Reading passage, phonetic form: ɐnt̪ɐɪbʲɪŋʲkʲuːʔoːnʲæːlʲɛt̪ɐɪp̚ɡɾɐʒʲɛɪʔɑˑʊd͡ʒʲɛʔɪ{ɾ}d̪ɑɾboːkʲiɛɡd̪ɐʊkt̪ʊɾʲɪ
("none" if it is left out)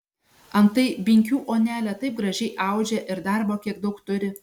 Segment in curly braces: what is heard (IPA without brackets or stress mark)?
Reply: ɾ